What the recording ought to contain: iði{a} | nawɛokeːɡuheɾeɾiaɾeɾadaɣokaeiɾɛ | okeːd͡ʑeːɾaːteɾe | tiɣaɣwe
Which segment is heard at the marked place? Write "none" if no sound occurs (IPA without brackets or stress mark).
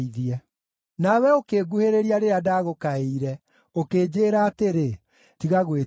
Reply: ɛ